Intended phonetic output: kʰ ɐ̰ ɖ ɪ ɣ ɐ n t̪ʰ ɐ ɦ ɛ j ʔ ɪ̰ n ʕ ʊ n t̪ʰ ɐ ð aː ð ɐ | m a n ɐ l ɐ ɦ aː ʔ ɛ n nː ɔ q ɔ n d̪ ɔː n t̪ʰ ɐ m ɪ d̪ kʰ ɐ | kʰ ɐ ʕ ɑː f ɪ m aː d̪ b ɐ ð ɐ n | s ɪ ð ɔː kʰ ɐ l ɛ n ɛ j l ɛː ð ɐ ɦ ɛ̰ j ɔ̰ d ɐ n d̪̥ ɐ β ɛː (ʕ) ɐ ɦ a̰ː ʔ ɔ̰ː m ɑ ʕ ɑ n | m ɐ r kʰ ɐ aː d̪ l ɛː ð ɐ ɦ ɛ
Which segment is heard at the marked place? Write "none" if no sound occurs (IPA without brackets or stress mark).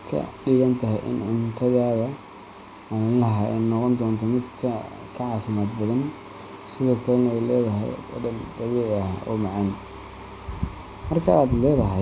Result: ʕ